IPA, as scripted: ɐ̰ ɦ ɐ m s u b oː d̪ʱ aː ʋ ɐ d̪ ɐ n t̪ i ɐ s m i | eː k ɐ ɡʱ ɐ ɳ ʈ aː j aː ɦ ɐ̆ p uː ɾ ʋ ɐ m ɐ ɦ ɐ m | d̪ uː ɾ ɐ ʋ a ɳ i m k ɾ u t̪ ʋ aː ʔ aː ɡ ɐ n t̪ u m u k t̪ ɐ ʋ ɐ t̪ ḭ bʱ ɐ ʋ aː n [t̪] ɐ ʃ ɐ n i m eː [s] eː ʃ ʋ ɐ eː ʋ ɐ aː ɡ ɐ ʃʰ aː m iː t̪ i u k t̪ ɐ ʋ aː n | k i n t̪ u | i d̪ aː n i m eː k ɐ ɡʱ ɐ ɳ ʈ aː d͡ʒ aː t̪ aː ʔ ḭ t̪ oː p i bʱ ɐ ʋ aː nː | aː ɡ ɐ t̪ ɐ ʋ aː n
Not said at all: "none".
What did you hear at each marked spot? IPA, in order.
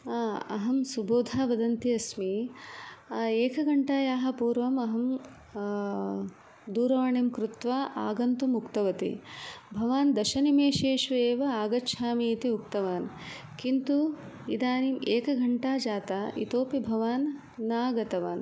d̪, ʃ

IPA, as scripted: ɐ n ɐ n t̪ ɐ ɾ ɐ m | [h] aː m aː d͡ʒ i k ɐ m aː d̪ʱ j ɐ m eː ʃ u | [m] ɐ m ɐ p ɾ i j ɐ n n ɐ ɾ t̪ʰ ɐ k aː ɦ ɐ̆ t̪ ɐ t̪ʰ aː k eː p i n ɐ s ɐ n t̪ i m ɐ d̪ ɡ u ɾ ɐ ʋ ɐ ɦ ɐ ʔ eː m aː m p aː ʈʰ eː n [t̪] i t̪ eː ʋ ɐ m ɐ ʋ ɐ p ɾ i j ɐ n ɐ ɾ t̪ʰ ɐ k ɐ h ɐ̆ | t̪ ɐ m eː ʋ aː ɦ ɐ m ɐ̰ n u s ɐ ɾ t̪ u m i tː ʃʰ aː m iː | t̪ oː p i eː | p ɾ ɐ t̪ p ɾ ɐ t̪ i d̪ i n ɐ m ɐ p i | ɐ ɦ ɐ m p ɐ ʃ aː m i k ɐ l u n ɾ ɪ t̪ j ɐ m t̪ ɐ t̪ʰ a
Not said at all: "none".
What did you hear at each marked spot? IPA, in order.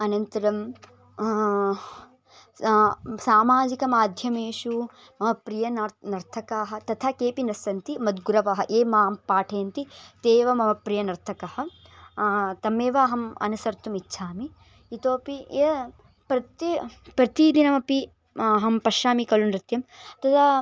s, m, t̪

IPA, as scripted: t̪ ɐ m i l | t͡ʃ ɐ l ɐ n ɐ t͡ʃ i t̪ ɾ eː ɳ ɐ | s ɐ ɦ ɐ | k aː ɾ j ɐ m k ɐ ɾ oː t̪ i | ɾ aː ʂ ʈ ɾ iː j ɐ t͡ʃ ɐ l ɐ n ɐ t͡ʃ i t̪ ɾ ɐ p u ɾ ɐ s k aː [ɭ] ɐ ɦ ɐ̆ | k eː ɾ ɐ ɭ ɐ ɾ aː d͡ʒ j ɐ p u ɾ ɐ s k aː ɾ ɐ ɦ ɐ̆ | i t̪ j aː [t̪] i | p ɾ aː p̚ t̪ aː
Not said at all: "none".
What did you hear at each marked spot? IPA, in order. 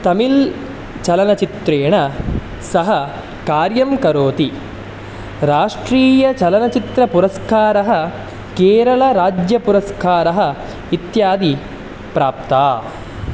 ɾ, d̪

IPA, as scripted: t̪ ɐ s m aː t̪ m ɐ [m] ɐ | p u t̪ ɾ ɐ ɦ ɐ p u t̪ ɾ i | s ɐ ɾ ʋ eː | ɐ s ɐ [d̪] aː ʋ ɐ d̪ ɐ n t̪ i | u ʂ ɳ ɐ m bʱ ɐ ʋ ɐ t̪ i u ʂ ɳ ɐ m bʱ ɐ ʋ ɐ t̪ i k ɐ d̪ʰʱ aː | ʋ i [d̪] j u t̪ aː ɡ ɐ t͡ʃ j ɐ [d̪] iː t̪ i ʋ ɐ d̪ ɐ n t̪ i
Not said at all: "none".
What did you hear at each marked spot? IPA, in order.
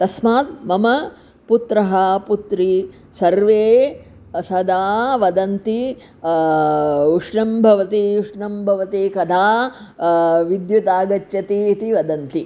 m, d̪, d̪, t̪

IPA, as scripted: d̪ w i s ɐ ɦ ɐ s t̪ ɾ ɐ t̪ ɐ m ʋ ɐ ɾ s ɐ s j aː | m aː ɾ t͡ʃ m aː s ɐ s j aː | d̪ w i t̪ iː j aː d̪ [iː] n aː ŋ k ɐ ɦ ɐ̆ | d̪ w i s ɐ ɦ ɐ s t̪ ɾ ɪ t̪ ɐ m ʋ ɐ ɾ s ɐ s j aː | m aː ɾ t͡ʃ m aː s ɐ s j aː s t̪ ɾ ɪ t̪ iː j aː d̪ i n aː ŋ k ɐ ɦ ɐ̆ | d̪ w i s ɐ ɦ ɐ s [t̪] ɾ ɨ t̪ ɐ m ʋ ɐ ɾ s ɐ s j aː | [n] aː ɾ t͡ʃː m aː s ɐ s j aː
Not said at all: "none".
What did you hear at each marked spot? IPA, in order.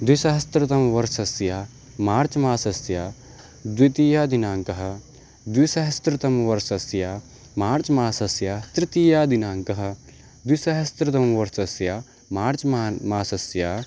i, t̪, m

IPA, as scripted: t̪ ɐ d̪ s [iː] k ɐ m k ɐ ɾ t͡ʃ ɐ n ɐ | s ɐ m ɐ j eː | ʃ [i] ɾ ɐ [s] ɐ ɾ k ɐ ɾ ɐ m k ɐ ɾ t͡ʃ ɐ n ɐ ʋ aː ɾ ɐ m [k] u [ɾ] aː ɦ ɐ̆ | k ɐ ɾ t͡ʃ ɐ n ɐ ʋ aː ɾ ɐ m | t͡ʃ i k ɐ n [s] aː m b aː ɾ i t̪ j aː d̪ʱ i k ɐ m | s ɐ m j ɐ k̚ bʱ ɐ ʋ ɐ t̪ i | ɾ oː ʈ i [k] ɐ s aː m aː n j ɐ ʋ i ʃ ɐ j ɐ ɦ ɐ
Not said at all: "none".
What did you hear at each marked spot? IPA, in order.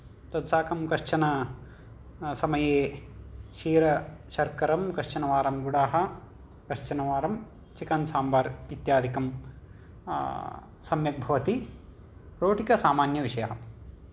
aː, iː, ʃ, ɡ, ɽ, s, k

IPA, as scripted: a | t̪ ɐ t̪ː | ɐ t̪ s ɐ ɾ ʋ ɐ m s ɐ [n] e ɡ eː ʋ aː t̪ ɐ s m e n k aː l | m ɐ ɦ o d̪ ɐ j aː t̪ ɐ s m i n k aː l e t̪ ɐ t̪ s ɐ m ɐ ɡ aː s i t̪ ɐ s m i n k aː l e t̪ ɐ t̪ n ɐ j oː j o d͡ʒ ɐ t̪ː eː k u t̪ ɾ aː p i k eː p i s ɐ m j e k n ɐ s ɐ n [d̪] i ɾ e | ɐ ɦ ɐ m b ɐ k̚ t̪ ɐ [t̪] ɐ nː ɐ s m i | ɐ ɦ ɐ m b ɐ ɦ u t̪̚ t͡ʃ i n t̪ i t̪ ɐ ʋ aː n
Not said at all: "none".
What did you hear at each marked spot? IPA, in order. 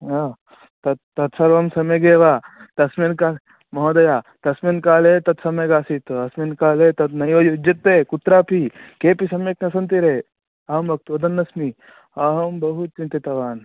m, t̪, d̪

